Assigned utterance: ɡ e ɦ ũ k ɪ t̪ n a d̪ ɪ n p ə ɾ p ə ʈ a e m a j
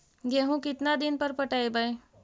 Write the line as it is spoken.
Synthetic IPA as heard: ɡ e ɦ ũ k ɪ t̪ n a d̪ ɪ n p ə ɾ p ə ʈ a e b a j

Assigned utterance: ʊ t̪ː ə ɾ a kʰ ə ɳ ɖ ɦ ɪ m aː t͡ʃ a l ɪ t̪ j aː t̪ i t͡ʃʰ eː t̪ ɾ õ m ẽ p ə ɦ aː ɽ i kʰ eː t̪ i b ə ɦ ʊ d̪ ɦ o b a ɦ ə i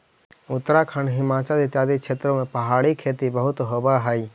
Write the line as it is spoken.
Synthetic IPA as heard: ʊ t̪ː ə ɾ a kʰ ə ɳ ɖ ɦ ɪ m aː t͡ʃ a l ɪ t̪ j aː d̪ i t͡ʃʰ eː t̪ ɾ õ m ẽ p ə ɦ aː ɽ i kʰ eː t̪ i b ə ɦ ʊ t̪ ɦ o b a ɦ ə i

